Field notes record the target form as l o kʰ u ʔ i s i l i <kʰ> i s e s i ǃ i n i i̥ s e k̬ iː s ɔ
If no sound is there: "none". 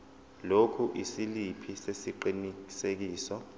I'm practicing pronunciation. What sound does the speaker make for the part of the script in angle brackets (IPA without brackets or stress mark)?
pʰ